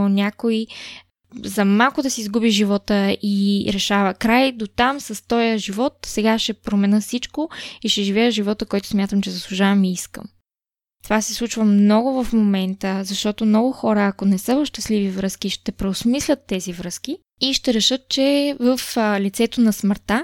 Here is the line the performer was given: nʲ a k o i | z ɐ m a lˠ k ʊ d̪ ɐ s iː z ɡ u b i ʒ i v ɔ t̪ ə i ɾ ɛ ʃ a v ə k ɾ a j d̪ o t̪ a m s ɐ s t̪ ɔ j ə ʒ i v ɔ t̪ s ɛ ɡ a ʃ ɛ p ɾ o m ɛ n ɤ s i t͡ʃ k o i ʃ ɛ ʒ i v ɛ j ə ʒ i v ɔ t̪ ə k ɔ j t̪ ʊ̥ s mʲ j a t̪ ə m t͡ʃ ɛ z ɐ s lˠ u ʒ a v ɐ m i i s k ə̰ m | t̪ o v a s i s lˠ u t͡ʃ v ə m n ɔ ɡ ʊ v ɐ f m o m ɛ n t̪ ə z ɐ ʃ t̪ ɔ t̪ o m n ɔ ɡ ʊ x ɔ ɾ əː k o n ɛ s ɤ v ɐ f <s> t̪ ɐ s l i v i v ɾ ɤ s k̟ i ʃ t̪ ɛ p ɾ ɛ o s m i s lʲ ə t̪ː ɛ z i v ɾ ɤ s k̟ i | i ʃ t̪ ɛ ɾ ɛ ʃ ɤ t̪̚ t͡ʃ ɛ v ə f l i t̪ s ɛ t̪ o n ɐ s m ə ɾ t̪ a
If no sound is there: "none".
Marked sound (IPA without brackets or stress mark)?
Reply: ʃ